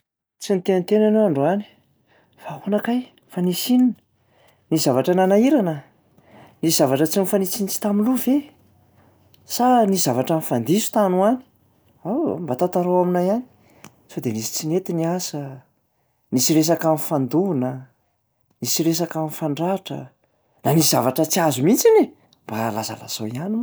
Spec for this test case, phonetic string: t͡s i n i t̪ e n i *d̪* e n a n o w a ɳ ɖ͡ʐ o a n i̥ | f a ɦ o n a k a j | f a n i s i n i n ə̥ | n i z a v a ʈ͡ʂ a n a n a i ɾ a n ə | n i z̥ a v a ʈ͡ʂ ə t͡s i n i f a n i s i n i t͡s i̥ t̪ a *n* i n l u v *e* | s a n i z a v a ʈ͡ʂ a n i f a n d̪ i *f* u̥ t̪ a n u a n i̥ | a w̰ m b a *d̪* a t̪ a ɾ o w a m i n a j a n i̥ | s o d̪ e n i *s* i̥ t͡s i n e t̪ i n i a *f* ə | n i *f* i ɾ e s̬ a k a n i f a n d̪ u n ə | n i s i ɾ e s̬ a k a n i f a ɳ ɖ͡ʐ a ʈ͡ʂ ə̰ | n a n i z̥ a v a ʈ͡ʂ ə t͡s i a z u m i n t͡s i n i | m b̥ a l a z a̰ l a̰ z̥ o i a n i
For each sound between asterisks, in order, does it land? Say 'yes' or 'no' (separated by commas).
no, no, yes, no, no, yes, no, no